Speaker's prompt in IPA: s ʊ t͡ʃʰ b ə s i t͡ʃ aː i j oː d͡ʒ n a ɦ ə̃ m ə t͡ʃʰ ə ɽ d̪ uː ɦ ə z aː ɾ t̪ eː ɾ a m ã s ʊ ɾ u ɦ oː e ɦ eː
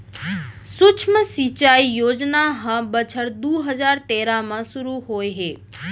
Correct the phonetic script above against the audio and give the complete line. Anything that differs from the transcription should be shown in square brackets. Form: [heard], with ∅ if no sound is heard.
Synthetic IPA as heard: s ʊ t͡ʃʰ [m] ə s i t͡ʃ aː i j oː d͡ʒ n a ɦ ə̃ [b] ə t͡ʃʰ ə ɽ d̪ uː ɦ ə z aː ɾ t̪ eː ɾ a m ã s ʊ ɾ u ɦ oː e ɦ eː